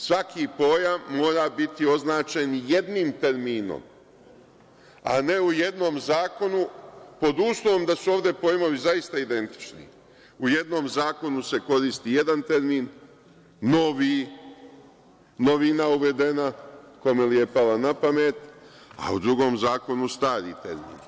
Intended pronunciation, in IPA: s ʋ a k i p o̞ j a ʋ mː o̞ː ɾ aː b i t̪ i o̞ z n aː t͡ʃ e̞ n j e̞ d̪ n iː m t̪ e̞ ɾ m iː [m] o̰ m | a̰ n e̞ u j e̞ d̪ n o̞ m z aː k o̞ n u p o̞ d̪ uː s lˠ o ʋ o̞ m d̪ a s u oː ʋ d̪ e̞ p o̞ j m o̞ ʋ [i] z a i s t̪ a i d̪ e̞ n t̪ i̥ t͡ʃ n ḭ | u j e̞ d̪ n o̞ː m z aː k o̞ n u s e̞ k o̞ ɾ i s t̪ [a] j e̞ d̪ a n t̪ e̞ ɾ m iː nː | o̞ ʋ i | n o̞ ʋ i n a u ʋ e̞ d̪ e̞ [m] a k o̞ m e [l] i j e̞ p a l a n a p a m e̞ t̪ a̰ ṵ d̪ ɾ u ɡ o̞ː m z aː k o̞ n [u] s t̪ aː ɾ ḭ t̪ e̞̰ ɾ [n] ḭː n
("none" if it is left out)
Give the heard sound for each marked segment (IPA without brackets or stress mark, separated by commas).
n, i, i, n, l, u, m